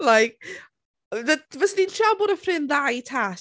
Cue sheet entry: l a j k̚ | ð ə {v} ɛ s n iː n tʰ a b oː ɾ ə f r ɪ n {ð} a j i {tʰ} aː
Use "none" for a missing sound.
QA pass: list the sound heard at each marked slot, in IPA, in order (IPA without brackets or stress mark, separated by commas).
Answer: v, ð, tʰ